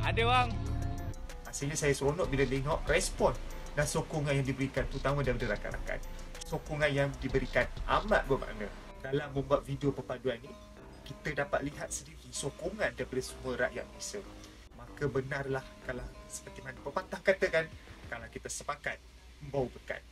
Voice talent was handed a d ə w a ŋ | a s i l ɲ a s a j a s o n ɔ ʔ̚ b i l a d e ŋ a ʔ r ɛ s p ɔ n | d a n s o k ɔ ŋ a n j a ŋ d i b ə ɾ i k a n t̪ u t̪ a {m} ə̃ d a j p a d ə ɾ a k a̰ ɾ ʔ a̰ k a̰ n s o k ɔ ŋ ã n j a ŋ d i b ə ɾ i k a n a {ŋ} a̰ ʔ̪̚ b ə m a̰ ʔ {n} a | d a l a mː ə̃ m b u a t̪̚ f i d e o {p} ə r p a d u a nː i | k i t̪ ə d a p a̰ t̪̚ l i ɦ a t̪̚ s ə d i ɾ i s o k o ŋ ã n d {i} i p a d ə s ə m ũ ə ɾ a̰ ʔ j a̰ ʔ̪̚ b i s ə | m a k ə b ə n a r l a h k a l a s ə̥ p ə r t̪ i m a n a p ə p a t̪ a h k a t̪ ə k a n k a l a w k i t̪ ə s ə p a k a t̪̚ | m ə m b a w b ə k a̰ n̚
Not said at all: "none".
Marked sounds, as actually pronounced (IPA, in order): m, m, n, p, a

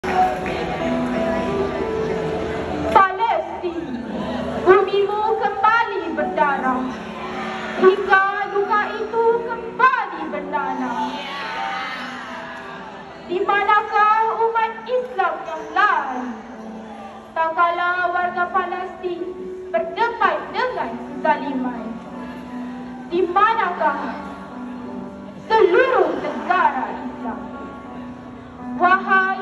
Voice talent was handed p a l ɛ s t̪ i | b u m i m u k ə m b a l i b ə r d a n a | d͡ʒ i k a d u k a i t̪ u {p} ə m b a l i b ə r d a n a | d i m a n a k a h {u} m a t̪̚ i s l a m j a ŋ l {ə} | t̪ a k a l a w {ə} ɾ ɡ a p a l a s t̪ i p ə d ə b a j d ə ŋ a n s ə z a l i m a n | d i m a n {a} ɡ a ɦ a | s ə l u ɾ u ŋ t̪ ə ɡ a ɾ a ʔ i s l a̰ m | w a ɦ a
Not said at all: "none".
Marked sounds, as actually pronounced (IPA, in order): k, u, a, a, a

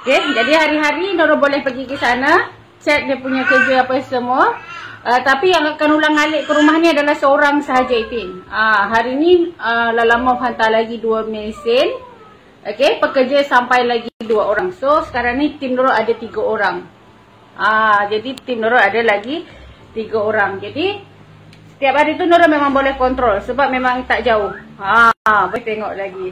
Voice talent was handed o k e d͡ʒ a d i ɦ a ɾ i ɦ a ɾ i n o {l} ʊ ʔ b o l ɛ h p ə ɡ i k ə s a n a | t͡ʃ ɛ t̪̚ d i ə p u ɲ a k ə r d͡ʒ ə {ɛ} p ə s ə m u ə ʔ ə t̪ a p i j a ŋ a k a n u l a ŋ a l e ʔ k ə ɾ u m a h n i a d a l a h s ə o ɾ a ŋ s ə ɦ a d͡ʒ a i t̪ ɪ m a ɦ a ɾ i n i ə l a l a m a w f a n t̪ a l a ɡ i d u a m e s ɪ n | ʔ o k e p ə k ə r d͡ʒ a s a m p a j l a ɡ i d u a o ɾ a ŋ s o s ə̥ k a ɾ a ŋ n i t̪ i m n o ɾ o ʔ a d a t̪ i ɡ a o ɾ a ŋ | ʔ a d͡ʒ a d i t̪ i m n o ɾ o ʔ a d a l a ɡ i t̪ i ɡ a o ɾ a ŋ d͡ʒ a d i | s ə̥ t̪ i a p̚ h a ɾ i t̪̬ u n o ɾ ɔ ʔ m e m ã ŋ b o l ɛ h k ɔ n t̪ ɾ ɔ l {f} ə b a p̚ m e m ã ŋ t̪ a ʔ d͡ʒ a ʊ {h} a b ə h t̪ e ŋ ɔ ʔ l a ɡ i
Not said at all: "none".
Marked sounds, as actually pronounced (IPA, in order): ɾ, a, s, h

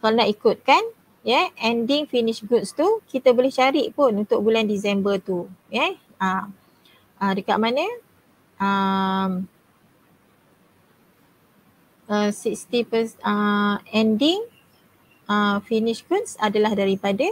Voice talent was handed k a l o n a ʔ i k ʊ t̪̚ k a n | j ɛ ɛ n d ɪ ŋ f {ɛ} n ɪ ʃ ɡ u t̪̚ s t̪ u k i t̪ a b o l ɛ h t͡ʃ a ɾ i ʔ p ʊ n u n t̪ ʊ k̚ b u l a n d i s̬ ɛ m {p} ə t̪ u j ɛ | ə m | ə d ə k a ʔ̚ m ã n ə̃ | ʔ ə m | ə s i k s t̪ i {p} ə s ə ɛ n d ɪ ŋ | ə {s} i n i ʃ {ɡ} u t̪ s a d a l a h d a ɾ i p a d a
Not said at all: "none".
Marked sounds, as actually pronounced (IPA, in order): i, b, p, f, ɡ

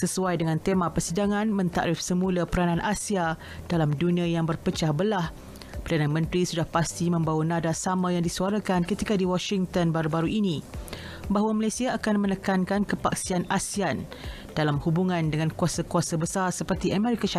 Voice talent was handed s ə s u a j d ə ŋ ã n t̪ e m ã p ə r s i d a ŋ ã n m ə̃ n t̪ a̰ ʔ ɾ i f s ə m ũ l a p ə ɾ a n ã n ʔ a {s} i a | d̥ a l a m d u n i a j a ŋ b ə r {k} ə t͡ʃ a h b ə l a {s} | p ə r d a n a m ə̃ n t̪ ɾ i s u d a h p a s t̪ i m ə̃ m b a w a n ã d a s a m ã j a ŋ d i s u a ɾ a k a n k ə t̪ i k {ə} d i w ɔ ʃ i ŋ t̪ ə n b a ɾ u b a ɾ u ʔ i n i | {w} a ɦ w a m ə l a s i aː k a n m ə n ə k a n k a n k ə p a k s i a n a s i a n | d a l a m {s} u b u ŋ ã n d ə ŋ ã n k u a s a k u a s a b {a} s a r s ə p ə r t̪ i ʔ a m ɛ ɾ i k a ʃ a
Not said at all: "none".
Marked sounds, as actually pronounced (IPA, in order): s, p, h, a, b, h, ə

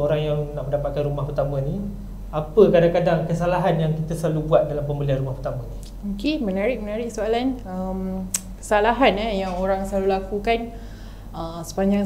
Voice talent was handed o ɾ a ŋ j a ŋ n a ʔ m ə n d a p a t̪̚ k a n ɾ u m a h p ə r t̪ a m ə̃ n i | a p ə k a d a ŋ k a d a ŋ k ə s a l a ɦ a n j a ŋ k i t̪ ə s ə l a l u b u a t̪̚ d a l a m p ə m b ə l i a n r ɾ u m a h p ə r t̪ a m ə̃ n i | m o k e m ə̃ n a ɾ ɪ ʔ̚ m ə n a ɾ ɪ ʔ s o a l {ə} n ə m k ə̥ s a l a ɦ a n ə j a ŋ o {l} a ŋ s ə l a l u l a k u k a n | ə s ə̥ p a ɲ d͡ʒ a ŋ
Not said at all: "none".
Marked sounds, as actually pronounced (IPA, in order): a, ɾ

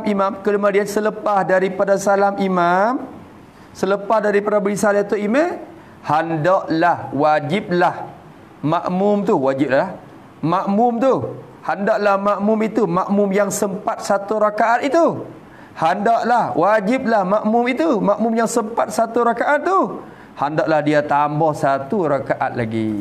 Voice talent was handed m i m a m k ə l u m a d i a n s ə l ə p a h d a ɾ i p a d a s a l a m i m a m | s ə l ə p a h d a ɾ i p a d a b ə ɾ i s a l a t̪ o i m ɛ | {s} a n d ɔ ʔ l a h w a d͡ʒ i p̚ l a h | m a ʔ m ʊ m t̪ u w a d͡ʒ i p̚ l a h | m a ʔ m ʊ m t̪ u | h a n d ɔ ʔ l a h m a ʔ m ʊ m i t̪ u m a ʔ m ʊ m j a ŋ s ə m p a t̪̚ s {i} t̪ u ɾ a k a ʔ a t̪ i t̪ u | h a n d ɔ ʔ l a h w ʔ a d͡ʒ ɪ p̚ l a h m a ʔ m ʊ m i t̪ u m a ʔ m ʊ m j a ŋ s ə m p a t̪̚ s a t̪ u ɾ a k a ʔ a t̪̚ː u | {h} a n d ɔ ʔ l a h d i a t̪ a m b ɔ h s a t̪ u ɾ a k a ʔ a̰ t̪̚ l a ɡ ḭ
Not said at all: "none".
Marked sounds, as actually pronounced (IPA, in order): h, a, h

